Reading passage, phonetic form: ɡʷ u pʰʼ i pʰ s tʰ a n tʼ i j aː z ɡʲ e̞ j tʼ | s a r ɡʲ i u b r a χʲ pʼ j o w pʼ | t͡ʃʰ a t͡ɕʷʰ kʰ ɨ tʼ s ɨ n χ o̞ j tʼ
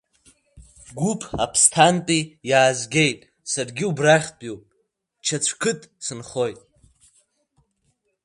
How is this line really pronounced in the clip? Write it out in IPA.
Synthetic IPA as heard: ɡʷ u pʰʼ a pʰ s tʰ a n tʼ i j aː z ɡʲ e̞ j tʼ | s a r ɡʲ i u b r a χʲ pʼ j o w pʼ | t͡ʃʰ a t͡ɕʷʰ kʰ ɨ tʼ s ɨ n χ o̞ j tʼ